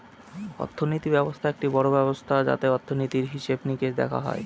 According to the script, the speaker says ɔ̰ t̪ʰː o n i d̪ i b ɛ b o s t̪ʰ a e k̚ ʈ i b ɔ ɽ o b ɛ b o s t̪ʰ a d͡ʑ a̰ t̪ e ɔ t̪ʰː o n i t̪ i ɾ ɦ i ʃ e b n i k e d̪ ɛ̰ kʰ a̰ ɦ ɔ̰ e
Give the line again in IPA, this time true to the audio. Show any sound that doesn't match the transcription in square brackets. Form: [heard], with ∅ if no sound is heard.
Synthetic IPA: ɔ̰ t̪ʰː o n i [t̪] i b ɛ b o s t̪ʰ a e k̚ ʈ i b ɔ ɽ o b ɛ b o s t̪ʰ a d͡ʑ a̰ t̪ e ɔ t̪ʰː o n i t̪ i ɾ ɦ i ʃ e b n i k e d̪ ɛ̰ kʰ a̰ ɦ ɔ̰ e